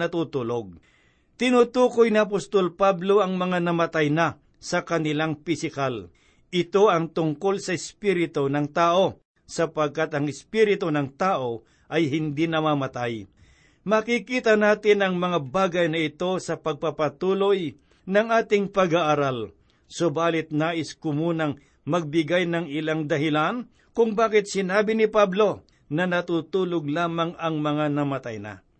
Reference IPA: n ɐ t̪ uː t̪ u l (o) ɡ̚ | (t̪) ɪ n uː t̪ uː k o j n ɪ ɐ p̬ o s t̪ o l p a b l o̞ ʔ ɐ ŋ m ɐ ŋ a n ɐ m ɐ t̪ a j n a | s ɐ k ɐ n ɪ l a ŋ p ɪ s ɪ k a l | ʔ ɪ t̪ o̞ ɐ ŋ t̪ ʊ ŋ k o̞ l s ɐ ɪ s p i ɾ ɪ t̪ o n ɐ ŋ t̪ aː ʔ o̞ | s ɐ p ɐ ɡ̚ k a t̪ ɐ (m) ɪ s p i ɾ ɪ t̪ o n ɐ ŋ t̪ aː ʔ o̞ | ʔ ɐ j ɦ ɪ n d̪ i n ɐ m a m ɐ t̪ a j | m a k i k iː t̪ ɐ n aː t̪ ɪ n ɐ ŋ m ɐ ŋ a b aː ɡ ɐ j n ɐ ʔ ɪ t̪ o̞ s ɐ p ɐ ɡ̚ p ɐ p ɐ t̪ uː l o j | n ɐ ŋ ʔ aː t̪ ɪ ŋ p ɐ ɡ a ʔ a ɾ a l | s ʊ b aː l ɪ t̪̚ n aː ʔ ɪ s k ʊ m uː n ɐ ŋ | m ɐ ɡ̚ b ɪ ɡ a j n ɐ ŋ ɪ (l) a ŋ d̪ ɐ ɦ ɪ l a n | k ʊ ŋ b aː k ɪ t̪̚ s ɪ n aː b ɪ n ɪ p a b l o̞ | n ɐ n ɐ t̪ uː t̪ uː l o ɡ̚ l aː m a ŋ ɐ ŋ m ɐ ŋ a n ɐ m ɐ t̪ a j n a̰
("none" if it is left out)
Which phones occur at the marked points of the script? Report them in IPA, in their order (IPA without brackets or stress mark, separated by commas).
o, t̪, ŋ, l